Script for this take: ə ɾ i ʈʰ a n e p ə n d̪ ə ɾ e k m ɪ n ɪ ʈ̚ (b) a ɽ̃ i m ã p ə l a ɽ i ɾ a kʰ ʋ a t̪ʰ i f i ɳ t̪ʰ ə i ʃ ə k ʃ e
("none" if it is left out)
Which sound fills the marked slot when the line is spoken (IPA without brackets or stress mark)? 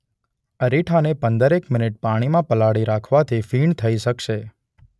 p